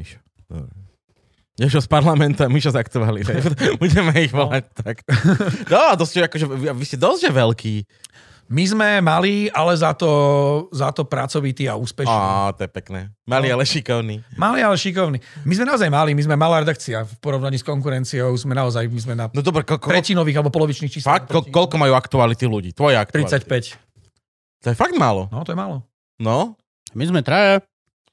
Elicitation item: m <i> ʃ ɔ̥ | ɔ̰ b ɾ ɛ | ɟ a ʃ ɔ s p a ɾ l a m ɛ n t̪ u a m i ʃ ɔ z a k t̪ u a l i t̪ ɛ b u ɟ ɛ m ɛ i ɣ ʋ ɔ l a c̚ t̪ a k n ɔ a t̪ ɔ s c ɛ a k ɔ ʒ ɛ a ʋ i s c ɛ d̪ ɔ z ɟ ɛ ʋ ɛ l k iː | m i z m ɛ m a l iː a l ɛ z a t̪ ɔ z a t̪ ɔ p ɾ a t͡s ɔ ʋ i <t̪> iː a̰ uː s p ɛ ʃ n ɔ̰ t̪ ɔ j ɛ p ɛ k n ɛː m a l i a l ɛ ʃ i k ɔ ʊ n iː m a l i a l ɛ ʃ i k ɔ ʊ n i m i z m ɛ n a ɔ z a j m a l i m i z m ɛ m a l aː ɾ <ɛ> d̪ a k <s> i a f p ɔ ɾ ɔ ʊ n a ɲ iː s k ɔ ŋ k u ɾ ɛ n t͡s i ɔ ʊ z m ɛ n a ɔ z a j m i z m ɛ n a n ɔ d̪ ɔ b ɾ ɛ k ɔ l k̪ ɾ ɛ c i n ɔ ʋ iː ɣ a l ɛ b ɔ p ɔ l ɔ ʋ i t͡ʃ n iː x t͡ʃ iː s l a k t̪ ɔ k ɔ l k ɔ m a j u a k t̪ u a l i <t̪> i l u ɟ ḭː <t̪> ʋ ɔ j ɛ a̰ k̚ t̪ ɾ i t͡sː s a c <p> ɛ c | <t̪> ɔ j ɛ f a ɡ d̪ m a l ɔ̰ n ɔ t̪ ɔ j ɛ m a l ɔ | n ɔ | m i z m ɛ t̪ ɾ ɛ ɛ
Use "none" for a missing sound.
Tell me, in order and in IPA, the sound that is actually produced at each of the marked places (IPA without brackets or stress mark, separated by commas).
i, t̪, ɛ, t͡s, t̪, t̪, p, t̪